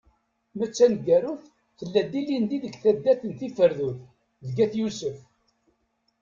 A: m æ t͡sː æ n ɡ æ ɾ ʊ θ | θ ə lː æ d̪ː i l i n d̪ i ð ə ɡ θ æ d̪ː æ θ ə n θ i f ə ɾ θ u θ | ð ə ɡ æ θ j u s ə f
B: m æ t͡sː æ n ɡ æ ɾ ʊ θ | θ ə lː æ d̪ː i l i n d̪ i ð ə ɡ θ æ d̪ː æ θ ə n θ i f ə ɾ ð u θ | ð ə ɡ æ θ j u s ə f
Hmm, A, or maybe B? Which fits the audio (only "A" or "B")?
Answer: B